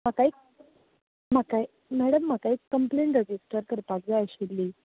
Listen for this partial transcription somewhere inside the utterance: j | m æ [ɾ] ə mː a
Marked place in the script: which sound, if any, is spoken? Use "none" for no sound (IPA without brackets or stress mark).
ɽ